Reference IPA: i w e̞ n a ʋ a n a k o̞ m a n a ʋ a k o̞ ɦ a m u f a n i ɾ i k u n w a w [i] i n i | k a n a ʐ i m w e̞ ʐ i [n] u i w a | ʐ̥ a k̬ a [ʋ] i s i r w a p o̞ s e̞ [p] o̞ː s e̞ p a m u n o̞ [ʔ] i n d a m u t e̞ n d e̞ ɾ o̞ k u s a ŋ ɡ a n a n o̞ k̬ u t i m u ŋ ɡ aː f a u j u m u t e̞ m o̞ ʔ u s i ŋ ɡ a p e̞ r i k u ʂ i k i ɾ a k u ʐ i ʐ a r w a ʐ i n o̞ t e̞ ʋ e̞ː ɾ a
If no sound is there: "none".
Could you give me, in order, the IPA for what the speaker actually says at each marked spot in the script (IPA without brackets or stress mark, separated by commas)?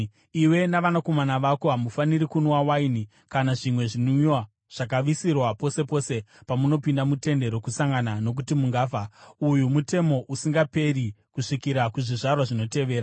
a, n, ʋ, p, p